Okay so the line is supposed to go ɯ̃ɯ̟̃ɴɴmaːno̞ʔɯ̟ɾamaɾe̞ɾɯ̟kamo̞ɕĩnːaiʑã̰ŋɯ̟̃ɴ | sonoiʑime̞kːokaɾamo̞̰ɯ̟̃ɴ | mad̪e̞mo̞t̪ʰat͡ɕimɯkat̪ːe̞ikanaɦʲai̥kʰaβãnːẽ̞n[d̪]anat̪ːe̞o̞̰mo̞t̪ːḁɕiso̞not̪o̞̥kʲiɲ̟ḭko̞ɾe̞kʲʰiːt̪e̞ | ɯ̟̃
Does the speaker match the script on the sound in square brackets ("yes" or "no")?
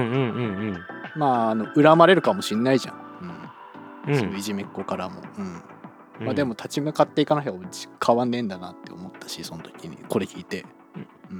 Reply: yes